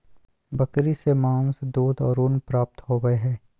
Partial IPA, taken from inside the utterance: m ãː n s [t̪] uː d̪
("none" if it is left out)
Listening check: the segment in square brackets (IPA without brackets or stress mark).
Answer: d̪